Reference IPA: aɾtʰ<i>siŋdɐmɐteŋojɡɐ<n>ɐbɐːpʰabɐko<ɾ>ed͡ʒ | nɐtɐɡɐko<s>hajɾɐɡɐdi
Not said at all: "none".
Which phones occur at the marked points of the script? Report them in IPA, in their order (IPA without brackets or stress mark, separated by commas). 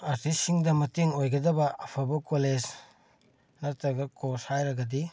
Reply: i, d, l, s